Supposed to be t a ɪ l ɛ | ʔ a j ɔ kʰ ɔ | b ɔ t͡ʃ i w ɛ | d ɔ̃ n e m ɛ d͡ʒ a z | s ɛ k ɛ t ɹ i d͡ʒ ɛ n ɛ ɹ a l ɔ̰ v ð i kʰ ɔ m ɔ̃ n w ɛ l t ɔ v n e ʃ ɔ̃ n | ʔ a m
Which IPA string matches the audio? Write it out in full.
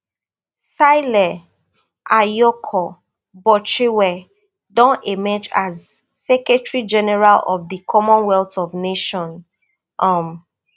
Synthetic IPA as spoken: s a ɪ l ɛ | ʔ a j ɔ kʰ ɔ | b ɔ t͡ʃ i w ɛ | d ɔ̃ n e m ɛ d͡ʒ a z | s ɛ k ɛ t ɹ i d͡ʒ ɛ n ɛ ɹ a l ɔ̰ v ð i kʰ ɔ m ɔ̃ n w ɛ l t ɔ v n e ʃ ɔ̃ n | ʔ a m